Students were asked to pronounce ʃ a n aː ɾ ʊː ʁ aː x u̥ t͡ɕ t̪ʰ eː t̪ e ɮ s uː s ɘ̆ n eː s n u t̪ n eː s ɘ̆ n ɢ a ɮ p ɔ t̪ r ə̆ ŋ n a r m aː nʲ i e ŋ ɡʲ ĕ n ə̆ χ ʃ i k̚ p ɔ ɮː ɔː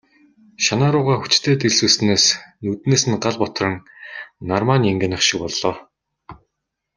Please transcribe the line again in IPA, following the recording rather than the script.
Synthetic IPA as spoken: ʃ a n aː ɾ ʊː ʁ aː x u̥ t͡ɕ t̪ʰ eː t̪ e ɮ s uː s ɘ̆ n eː s n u t̪ n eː s ɘ̆ n ɢ a ɮ p ɔ t̪ r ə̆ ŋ n a r m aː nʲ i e ŋ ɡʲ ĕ n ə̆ χ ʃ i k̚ p ɔ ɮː ɔː

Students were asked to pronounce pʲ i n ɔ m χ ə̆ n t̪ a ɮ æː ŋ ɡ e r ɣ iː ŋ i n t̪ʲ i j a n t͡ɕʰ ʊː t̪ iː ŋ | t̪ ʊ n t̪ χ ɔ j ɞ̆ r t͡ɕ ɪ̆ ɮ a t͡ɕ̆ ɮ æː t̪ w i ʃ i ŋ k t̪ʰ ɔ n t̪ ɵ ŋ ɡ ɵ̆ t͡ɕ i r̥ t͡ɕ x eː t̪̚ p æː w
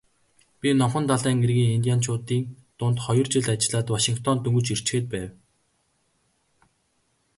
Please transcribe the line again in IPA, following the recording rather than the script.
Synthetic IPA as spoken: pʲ i n ɔ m χ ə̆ n t̪ a ɮ æː ŋ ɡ e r ɣ iː ŋ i n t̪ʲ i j a n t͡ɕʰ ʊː t̪ iː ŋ | t̪ ʊ n t̪ χ ɔ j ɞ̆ r t͡ɕ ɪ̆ ɮ a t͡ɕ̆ ɮ aː t̪ w a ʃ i ŋ k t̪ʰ ɔ n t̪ ɵ ŋ ɡ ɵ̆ t͡ɕ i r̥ t͡ɕ x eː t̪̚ p æː w

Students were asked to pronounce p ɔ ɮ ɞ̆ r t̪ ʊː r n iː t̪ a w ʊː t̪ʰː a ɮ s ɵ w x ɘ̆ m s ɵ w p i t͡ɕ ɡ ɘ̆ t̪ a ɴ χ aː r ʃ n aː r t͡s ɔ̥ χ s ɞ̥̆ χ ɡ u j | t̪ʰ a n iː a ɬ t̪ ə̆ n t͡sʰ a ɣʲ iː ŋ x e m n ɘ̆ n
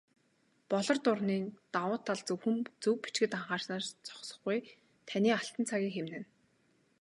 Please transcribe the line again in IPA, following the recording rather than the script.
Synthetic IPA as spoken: p ɔ ɮ ɞ̆ r t̪ ʊ r n iː t̪ a w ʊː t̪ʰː a ɮ t͡s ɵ w x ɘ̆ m t͡s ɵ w p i t͡ɕ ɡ ɘ̆ t̪ a ɴ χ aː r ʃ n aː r t͡s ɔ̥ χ s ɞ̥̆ χ ɡ u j | t̪ʰ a n iː a ɬ t̪ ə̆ n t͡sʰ a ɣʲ iː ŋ x e m n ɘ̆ n

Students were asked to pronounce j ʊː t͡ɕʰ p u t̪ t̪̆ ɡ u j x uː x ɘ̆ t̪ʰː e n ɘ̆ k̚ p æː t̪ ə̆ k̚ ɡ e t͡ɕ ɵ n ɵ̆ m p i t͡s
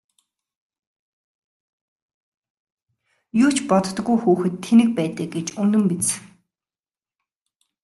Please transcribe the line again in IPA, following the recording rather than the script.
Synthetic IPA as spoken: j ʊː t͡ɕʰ p ɔ t̪ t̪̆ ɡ u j x uː x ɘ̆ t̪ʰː e n ɘ̆ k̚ p æː t̪ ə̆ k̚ ɡ e t͡ɕ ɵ n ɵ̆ m p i t͡s

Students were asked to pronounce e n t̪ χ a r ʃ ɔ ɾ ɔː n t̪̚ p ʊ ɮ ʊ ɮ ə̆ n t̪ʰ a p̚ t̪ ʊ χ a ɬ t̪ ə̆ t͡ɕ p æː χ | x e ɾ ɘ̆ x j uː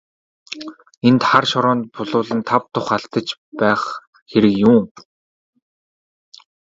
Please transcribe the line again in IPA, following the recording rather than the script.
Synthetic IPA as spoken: e n t̪ χ a r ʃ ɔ ɾ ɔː n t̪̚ p ʊ ɮ ʊː ɮ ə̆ n t̪ʰ a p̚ t̪ ʊ χ a ɬ t̪ ə̆ t͡ɕ p æː χ | x e ɾ ɘ̆ k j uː

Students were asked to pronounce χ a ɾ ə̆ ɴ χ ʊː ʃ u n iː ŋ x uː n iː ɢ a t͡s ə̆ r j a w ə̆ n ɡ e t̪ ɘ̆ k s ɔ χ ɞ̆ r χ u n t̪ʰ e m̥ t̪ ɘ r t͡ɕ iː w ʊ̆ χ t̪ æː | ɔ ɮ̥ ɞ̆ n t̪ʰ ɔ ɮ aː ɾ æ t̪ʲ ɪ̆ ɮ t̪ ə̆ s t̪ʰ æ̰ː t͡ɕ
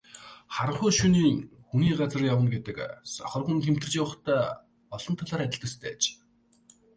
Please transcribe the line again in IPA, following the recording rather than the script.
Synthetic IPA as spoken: χ a ɾ ə̆ ɴ χ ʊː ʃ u n iː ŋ x u n iː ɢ a t͡s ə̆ r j a w ə̆ n ɡ e t̪ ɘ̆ k s ɔ χ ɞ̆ r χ u n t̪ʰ e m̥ t̪ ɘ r t͡ɕ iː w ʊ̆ χ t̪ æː | ɔ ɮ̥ ɞ̆ n t̪ʰ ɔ ɮ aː ɾ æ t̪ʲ ɪ̆ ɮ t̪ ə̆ s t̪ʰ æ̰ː t͡ɕ

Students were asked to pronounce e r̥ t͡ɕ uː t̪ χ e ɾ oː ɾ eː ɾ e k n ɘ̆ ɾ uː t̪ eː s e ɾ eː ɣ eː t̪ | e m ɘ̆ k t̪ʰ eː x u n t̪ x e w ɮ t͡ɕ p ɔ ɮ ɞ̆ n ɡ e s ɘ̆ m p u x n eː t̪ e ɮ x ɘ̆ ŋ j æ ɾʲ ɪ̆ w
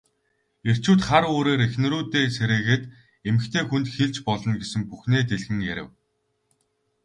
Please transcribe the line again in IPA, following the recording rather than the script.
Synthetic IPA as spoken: e r̥ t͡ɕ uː t̪ χ a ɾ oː ɾ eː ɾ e x n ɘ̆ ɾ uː t̪ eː s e ɾ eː ɣ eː t̪ | e m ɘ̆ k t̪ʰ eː x u n t̪ x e ɮ t͡ɕ p ɔ ɮ ɞ̆ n ɡ e s ɘ̆ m p u x n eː t̪ e ɮ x ɘ̆ ŋ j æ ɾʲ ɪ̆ w

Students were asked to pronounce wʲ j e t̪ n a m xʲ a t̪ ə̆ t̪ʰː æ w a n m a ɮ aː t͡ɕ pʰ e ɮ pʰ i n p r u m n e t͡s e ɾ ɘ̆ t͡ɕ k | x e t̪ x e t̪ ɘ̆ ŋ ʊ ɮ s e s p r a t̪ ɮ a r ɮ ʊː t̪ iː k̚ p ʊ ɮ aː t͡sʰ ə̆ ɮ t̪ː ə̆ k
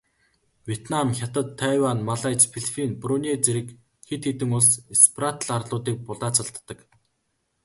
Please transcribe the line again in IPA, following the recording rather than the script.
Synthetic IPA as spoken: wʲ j e t̪ n a m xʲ a t̪ ə̆ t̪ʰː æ w a n m a ɮ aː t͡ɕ pʰ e ɮ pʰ i n p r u n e t͡s e ɾ ɘ̆ k | x e t̪ x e t̪ ɘ̆ ŋ ʊ ɮ s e s p r a t̪ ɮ a r ɮ ʊː t̪ iː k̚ p ʊ ɮ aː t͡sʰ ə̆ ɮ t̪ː ə̆ k

